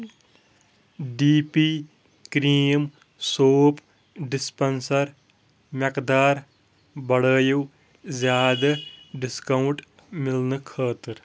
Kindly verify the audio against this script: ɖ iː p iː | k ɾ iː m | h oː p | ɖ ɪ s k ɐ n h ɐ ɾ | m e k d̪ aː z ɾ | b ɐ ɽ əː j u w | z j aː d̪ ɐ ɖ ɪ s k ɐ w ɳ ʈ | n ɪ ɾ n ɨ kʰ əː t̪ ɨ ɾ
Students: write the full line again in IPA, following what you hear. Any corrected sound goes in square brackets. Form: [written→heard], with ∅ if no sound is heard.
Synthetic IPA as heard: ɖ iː p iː | k ɾ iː m | [h→s] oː p | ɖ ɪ s [k→p] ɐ n [h→s] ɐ ɾ | m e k d̪ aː [z→∅] ɾ | b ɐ ɽ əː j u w | z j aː d̪ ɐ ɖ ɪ s k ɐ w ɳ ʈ | [n→m] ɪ [ɾ→l] n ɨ kʰ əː t̪ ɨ ɾ